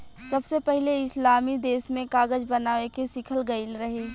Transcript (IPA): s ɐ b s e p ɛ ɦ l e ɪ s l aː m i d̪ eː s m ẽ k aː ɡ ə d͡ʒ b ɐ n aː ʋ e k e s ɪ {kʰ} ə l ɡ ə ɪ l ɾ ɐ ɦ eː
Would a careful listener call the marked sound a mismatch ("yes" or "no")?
no